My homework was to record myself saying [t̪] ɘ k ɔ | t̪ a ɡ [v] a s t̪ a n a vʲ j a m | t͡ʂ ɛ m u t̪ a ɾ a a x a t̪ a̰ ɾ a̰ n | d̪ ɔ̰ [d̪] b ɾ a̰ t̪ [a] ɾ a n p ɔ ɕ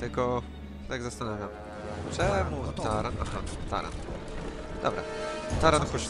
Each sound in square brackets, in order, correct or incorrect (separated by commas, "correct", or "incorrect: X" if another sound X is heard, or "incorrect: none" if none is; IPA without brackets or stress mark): correct, incorrect: z, incorrect: none, correct